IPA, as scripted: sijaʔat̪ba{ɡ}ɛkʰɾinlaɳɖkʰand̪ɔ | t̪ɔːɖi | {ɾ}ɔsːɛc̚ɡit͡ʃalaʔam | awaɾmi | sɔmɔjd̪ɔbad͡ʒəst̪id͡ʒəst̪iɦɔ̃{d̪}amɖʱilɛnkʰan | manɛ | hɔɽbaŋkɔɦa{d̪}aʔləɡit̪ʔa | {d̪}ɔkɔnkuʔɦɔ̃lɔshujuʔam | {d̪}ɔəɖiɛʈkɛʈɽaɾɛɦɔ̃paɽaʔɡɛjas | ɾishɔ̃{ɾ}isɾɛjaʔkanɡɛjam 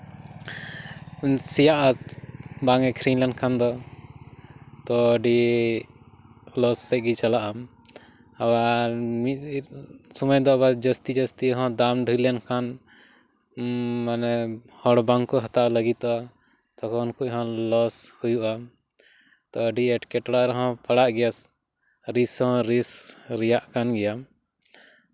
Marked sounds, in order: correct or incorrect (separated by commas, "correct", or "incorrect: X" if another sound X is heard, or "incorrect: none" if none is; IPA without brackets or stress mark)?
incorrect: ŋ, incorrect: l, correct, incorrect: t̪, incorrect: t̪, incorrect: t̪, correct